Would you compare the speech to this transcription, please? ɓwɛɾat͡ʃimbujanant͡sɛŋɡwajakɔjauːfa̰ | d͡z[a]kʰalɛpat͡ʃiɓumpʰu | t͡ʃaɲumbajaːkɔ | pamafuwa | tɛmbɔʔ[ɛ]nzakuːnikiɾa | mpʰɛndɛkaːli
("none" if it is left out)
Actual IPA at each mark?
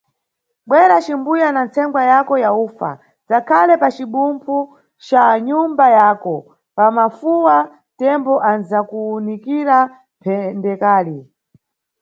a, a

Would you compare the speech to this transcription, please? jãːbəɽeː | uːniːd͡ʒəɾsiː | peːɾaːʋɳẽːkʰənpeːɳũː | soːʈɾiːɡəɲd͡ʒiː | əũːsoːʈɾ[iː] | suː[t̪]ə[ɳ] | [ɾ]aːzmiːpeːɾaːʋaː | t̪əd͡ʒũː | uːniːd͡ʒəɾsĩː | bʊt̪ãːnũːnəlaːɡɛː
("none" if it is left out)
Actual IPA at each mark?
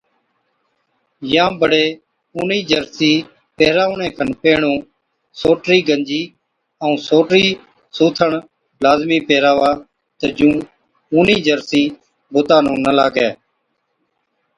iː, t̪ʰ, ɳ, l

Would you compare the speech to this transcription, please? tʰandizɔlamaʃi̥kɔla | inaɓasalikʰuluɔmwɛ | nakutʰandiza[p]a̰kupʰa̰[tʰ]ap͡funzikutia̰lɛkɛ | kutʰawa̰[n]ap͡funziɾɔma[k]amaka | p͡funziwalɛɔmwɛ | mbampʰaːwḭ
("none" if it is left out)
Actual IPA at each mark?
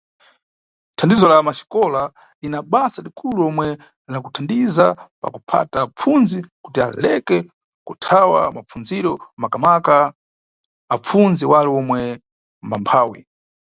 p, t, m, k

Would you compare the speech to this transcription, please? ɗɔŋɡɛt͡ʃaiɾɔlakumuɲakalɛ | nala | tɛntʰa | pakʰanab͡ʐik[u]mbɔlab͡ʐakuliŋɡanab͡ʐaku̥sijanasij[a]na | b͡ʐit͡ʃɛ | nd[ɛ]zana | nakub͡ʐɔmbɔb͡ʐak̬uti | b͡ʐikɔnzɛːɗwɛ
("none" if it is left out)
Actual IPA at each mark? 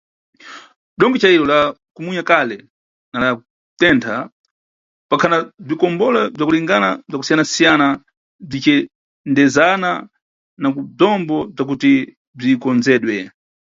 ɔ, a, ɛ

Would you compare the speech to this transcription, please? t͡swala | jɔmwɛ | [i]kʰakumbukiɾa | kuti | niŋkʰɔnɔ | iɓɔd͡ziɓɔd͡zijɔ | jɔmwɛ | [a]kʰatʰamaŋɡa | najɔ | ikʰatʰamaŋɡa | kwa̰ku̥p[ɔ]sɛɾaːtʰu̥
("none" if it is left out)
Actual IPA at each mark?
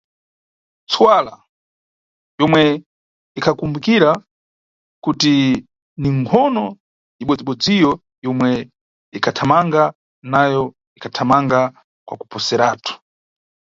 i, i, ɔ

